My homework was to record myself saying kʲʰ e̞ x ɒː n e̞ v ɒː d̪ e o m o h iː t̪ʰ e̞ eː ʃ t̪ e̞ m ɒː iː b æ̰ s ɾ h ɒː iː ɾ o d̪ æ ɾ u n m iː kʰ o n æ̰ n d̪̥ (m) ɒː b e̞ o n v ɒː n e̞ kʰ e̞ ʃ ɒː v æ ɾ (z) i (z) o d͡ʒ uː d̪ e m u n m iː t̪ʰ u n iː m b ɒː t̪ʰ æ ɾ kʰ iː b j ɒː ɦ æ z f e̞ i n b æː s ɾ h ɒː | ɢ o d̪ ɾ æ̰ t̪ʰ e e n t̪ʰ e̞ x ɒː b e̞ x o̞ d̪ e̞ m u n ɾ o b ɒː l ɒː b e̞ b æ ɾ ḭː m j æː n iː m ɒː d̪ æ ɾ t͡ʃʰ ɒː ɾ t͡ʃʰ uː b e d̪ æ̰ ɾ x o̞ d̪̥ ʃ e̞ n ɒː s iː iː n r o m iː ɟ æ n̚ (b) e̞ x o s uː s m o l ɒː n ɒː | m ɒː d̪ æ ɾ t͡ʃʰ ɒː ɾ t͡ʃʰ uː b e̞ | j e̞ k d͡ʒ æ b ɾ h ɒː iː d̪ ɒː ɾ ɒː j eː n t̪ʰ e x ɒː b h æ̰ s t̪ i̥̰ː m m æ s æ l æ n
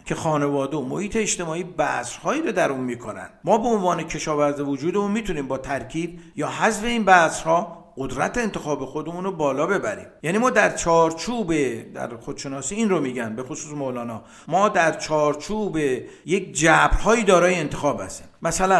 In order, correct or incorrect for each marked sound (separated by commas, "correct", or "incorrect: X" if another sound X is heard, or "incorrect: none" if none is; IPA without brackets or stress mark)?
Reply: correct, correct, incorrect: v, correct